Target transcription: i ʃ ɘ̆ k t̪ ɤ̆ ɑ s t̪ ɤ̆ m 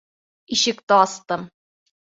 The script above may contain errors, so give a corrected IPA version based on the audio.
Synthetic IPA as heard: i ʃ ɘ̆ k t̪ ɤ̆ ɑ s t̪ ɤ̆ m